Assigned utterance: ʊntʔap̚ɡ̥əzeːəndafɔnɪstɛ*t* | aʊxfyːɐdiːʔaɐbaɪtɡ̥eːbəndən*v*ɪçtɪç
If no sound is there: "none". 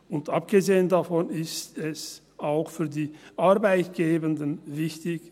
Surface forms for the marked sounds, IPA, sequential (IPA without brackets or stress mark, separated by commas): s, v